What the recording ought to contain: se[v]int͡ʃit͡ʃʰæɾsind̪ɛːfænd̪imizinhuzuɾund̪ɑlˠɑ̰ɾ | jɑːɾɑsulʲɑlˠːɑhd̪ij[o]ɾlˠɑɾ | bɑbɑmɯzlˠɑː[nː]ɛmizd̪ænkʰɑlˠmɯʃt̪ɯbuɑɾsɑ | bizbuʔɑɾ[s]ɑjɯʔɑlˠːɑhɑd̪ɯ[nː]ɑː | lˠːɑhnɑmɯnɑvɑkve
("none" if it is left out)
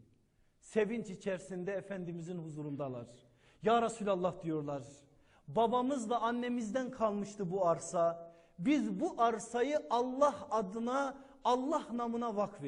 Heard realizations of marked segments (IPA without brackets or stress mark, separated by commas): v, o, nː, s, n